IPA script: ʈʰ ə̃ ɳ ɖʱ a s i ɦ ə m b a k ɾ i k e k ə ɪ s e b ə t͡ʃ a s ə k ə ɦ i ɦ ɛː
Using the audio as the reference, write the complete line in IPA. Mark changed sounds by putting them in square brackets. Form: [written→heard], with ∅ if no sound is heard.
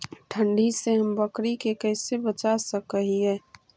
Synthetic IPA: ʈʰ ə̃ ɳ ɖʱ [a→i] s [i→e] ɦ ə m b [a→ə] k ɾ i k e k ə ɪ s e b ə t͡ʃ a s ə k ə ɦ i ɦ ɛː